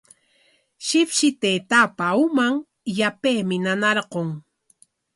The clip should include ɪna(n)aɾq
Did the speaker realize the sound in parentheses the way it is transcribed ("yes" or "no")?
yes